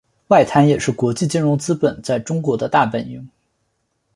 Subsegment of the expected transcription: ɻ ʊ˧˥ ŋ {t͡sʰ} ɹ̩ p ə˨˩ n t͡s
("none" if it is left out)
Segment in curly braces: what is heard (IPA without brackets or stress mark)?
t͡s